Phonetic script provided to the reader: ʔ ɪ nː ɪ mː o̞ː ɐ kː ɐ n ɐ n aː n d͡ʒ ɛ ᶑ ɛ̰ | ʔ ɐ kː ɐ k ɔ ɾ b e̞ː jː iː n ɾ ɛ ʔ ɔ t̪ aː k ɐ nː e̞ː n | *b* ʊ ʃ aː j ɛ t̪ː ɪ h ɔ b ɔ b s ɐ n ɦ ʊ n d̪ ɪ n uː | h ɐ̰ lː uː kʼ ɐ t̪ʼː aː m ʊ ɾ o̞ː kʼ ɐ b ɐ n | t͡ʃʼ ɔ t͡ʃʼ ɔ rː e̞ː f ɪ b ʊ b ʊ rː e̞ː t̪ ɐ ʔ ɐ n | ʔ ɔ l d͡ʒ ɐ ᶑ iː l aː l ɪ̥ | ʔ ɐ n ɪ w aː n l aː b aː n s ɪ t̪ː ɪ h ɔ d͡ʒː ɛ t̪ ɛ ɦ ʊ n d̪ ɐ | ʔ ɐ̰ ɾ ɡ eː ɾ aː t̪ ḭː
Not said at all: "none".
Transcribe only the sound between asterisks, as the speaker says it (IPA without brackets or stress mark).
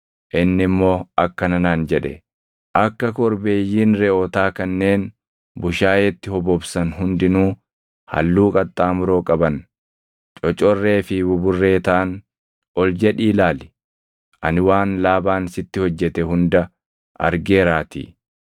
b